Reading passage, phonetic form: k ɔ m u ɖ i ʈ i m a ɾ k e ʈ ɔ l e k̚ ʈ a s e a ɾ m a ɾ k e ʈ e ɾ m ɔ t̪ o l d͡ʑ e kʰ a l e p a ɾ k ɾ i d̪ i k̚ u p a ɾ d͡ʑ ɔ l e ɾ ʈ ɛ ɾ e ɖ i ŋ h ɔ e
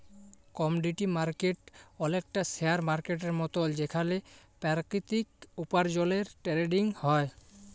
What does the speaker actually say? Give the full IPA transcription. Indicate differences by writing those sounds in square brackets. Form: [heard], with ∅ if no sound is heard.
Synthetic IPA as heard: k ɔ m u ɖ i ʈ i m a ɾ k e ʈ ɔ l e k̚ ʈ a s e a ɾ m a ɾ k e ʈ e ɾ m ɔ t̪ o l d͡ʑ e kʰ a l e p a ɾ k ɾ i [t̪] i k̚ u p a ɾ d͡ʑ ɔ l e ɾ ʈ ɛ ɾ e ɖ i ŋ h ɔ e